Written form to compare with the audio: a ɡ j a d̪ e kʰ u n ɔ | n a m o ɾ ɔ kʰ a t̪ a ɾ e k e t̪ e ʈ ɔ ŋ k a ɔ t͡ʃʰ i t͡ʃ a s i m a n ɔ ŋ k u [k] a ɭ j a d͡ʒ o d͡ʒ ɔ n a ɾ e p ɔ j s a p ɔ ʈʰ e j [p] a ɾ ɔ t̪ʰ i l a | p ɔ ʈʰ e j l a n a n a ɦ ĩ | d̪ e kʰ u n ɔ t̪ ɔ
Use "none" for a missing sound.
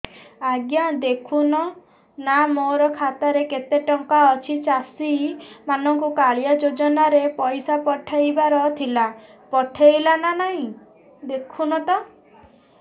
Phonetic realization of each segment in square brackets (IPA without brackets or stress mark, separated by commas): k, b